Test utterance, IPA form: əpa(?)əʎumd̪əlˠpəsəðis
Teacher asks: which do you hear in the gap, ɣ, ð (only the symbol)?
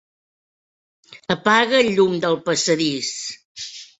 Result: ɣ